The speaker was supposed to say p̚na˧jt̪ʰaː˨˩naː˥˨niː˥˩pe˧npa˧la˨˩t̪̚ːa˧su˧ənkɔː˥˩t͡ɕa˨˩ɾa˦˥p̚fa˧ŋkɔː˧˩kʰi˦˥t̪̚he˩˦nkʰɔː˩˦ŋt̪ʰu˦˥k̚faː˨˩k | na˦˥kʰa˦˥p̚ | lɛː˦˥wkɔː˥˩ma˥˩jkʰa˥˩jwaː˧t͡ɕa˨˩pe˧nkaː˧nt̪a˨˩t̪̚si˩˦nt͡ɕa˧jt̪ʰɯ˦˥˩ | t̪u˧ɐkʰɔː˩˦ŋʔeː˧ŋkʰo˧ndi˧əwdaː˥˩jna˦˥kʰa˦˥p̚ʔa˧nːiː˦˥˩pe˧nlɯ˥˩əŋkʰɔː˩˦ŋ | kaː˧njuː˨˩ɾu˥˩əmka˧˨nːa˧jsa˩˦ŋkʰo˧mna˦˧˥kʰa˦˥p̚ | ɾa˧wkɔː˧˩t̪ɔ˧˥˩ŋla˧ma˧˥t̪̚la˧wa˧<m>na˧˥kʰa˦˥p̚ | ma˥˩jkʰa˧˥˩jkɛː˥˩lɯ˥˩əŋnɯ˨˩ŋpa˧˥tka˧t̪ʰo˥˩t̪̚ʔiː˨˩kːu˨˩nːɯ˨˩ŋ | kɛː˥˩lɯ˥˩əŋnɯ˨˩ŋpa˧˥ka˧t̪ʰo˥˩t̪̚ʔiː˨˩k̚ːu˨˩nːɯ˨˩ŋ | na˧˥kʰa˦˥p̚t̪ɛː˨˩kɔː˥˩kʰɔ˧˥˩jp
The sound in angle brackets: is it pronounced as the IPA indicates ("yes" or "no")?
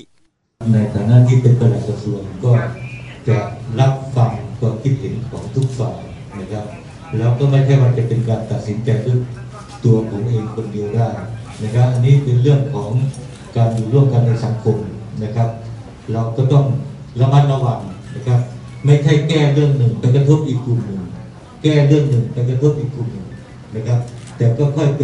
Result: no